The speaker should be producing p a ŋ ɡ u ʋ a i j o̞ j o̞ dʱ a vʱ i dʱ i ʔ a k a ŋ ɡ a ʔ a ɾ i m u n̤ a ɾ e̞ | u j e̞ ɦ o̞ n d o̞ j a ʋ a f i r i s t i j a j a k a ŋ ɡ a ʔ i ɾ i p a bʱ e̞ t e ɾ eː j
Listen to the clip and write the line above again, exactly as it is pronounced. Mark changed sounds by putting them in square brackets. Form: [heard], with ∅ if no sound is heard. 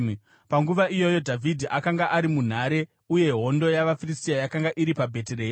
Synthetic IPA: p a ŋ ɡ u ʋ a i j o̞ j o̞ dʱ a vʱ i dʱ i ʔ a k a ŋ ɡ a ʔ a ɾ i m u n̤ a ɾ e̞ | u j e̞ ɦ o̞ n d o̞ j a ʋ a f i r i s t i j a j a k a ŋ ɡ a ʔ i ɾ i p a bʱ e̞ t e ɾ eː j